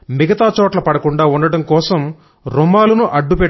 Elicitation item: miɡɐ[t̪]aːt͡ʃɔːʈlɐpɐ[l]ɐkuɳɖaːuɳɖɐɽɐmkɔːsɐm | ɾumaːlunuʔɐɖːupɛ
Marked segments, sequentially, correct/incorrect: correct, incorrect

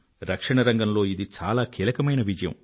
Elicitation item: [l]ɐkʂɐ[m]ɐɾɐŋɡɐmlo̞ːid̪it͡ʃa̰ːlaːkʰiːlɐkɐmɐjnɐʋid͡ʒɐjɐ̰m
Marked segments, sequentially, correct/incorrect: incorrect, incorrect

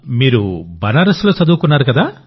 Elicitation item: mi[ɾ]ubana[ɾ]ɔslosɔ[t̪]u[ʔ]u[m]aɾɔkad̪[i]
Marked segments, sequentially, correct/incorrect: correct, correct, incorrect, incorrect, incorrect, incorrect

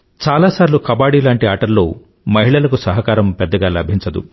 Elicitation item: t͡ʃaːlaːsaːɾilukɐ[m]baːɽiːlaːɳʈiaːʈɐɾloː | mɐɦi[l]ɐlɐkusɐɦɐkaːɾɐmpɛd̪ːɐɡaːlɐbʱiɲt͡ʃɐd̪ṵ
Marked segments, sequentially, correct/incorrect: incorrect, incorrect

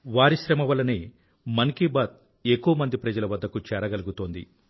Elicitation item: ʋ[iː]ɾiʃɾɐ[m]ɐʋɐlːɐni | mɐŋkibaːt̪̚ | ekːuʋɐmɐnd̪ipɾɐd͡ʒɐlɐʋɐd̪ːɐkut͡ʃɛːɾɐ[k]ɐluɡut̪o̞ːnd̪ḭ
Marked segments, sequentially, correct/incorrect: incorrect, correct, incorrect

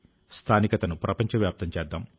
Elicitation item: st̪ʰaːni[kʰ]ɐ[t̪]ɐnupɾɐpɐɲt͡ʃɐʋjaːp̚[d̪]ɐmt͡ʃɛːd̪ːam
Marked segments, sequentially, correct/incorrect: incorrect, correct, incorrect

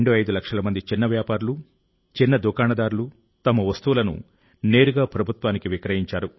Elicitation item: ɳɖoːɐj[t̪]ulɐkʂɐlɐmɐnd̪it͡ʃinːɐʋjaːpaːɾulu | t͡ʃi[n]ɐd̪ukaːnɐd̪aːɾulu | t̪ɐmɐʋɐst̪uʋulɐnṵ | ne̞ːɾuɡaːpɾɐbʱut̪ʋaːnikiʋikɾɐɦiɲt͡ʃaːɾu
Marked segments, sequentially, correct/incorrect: incorrect, incorrect

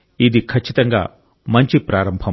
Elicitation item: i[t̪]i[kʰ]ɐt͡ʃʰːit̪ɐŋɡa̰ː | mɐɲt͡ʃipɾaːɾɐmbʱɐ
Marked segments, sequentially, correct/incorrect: incorrect, correct

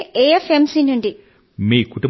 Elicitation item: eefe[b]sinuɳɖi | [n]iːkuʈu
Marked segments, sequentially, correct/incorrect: incorrect, incorrect

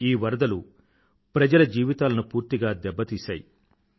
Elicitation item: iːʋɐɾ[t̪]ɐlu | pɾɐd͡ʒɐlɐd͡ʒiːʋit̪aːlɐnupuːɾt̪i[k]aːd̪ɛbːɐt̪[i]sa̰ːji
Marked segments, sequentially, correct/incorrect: incorrect, incorrect, incorrect

